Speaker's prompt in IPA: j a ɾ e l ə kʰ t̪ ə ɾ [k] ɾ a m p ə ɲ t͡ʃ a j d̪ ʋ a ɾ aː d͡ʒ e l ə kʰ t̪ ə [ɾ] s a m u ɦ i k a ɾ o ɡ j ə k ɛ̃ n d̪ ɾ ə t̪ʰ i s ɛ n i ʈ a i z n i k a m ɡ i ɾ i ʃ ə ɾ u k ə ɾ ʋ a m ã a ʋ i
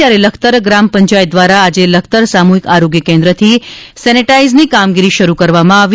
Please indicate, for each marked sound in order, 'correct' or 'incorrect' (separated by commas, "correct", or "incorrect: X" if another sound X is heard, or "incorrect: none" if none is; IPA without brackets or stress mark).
incorrect: ɡ, correct